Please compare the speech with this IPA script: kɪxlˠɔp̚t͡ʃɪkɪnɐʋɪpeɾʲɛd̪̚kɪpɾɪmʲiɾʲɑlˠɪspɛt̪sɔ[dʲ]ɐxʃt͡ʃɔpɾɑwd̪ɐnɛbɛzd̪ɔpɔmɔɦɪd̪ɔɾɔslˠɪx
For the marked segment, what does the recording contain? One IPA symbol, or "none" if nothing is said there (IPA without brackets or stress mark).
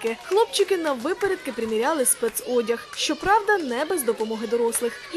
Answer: dʲ